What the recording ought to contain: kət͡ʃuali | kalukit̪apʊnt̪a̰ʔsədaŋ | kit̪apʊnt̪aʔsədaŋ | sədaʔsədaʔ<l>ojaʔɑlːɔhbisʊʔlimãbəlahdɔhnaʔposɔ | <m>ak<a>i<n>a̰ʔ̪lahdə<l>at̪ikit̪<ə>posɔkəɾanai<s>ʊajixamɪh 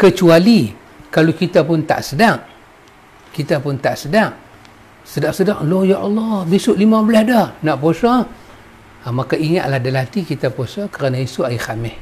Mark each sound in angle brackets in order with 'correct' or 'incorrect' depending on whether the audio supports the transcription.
correct, correct, correct, incorrect, correct, incorrect, correct

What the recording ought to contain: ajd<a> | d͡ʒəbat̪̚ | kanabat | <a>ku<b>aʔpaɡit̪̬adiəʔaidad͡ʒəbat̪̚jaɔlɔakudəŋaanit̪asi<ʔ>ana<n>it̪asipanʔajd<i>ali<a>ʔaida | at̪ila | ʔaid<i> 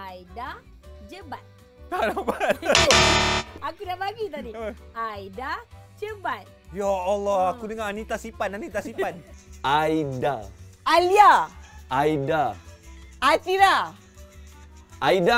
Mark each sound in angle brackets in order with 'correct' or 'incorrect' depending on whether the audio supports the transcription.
correct, correct, incorrect, incorrect, correct, incorrect, correct, incorrect

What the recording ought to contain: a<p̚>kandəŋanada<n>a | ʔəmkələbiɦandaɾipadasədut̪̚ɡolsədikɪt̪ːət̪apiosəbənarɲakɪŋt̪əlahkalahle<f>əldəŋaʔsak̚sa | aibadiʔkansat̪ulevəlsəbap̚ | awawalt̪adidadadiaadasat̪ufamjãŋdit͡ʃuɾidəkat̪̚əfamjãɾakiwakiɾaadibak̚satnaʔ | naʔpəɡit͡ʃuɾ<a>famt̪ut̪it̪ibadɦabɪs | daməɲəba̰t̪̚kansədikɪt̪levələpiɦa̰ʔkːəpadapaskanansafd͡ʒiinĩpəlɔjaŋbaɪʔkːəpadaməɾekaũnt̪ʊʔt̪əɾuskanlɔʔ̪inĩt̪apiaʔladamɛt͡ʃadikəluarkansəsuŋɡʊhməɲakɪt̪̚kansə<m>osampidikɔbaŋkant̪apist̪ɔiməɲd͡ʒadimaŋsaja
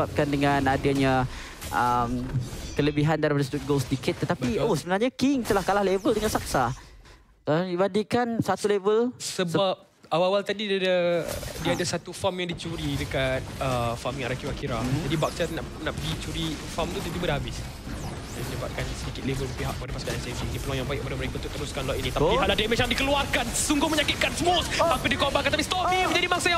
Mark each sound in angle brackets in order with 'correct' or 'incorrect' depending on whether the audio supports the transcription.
correct, incorrect, incorrect, incorrect, correct

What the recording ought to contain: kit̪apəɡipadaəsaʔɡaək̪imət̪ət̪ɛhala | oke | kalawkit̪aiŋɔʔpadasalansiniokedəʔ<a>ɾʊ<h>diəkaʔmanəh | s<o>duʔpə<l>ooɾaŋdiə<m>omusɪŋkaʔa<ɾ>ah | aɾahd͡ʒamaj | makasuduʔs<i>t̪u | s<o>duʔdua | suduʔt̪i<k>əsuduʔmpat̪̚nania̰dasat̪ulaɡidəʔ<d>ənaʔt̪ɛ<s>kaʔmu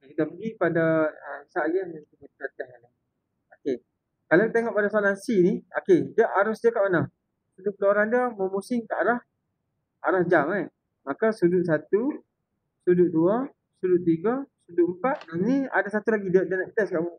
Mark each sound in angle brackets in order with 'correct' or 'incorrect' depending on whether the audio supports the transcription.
correct, incorrect, incorrect, correct, correct, correct, incorrect, incorrect, incorrect, correct, correct

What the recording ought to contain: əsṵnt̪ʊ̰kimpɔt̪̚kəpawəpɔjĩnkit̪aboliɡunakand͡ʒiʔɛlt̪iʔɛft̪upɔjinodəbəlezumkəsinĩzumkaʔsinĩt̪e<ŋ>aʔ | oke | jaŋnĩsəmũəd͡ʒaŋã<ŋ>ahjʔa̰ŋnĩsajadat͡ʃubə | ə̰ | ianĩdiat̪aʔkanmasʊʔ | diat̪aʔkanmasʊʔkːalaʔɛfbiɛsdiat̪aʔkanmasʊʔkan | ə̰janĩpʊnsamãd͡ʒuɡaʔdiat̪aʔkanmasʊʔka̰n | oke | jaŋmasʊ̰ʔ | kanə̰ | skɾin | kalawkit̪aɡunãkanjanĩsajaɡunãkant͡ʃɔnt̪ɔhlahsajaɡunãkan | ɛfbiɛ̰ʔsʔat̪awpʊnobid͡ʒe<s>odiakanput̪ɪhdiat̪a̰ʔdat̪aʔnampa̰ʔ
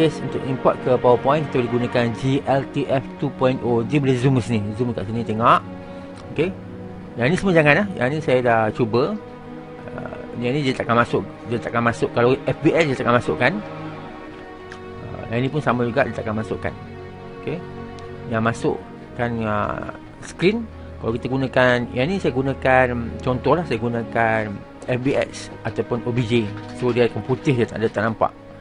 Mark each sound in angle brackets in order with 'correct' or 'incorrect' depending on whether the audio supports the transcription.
correct, incorrect, correct

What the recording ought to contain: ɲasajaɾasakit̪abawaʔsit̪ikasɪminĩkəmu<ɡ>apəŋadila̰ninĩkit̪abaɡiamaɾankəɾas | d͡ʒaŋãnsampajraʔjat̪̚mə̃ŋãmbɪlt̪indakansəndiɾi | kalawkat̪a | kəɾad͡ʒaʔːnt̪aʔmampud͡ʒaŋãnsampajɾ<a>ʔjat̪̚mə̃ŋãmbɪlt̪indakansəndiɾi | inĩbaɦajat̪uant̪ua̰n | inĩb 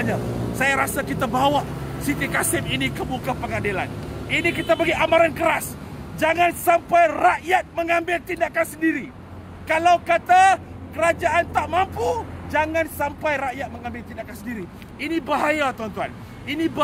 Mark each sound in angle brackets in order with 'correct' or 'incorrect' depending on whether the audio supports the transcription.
incorrect, correct

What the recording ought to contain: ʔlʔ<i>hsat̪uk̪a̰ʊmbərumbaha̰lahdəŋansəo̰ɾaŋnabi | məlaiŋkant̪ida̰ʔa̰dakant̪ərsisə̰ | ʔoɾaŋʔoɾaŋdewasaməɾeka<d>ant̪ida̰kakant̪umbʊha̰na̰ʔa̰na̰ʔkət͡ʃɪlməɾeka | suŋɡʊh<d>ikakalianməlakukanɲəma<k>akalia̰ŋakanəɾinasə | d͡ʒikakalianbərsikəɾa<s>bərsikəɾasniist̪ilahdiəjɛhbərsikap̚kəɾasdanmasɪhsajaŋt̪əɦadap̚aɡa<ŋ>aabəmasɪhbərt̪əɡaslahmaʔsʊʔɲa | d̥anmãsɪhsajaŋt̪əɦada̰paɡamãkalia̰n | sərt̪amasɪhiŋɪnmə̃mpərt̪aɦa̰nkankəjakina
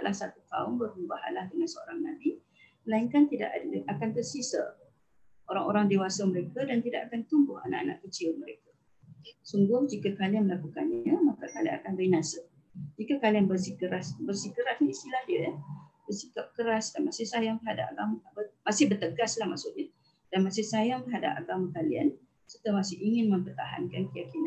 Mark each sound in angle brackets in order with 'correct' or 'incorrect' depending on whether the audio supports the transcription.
incorrect, correct, incorrect, correct, correct, incorrect

